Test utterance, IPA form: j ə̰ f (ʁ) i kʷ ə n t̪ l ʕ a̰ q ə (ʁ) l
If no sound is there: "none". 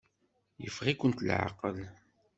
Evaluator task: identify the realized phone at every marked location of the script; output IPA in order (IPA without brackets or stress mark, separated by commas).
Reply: ʁ, none